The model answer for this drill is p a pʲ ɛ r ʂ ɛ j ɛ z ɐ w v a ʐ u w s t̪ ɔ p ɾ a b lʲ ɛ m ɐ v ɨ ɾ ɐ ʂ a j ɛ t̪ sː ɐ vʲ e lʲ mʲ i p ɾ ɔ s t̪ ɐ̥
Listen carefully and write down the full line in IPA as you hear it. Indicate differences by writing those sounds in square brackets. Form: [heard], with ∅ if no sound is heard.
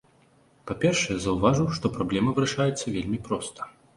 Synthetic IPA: p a pʲ ɛ r ʂ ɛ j ɛ z ɐ w v a ʐ u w [ʂ] t̪ ɔ p ɾ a b lʲ ɛ m ɐ v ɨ ɾ ɐ ʂ a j ɛ t̪ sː ɐ vʲ e lʲ mʲ i p ɾ ɔ s t̪ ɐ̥